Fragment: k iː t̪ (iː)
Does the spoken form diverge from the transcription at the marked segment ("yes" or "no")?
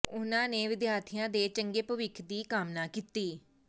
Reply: no